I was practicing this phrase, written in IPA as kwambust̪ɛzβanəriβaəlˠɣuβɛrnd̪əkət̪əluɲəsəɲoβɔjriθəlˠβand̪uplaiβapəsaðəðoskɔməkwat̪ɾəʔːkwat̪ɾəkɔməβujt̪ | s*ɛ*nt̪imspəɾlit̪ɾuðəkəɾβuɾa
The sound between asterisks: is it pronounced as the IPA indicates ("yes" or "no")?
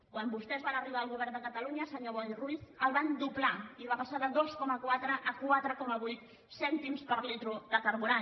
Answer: yes